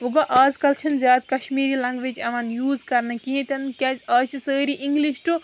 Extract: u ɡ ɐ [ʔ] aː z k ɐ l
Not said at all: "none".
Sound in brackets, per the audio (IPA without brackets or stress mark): ʔ